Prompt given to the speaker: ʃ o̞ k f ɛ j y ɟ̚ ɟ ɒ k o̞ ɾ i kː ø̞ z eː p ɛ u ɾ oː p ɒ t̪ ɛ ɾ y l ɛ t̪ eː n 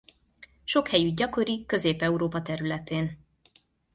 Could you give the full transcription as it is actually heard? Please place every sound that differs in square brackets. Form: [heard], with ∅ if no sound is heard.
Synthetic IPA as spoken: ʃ o̞ k [h] ɛ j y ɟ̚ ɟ ɒ k o̞ ɾ i kː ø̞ z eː p ɛ u ɾ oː p ɒ t̪ ɛ ɾ y l ɛ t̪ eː n